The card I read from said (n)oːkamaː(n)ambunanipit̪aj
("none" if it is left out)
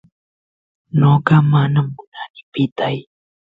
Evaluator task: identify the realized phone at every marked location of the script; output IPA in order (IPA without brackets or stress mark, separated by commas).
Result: n, n